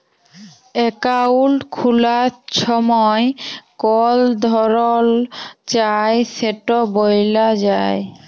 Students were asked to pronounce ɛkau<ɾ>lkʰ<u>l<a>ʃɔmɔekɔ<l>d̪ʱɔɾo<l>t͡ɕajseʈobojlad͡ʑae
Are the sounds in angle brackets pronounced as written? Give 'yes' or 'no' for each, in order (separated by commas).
no, yes, yes, yes, yes